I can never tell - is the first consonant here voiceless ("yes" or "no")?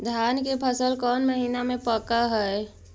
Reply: no